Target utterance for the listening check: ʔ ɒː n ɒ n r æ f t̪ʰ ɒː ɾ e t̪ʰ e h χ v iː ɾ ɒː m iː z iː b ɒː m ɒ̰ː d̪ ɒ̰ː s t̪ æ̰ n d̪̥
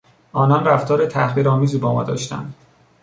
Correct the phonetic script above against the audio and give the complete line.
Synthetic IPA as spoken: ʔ ɒː n ɒ n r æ f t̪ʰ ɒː ɾ e t̪ʰ æ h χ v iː ɾ ɒː m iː z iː b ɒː m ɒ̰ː d̪ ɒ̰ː ʃ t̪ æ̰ n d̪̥